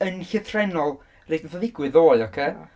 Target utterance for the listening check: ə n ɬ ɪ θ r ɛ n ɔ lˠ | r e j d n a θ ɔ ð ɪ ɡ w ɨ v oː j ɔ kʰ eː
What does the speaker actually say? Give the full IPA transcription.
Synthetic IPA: ə n ɬ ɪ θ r ɛ n ɔ lˠ | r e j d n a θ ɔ ð ɪ ɡ w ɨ ð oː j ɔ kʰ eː